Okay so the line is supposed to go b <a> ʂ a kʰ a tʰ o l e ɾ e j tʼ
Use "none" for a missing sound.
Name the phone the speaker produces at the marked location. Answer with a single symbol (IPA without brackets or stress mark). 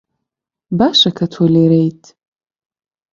a